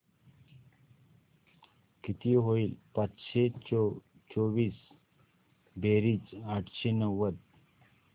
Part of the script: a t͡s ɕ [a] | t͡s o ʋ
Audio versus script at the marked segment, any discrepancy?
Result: yes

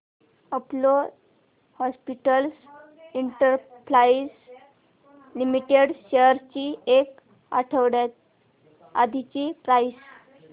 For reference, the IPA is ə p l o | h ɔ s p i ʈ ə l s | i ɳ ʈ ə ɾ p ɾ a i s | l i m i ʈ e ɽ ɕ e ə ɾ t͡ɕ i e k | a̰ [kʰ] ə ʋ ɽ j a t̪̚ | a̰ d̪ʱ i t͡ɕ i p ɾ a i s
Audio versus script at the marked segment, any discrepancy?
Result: yes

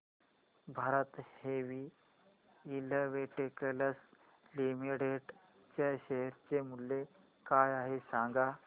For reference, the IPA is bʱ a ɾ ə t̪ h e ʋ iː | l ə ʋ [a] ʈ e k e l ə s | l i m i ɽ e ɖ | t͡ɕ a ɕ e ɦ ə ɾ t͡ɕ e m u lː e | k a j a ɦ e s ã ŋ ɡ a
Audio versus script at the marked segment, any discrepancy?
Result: yes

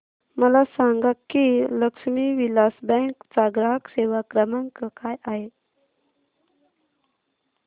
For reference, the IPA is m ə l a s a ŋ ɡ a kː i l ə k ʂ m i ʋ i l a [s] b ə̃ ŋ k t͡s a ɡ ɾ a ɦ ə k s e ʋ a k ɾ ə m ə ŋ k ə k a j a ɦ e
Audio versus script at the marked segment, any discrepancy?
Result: no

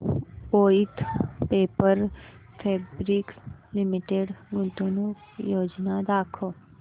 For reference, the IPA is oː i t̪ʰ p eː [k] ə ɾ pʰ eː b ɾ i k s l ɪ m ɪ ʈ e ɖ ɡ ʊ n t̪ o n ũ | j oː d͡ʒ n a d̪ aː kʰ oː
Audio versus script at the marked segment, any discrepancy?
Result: yes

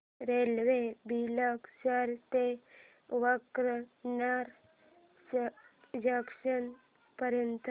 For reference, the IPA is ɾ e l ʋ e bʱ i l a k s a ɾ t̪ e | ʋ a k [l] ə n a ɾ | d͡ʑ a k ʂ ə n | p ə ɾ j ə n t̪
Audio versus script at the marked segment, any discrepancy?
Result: yes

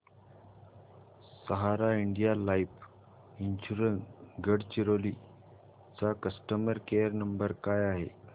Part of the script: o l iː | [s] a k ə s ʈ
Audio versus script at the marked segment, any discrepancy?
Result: yes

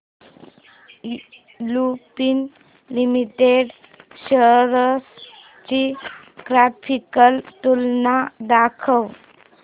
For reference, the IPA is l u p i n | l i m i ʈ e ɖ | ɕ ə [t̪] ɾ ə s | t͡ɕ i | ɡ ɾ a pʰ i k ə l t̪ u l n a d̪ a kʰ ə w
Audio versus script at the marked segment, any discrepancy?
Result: yes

